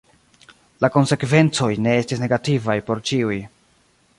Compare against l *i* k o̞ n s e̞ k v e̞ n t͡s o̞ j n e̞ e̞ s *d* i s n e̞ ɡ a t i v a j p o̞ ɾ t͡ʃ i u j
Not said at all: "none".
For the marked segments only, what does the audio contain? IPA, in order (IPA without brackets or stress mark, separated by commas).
a, t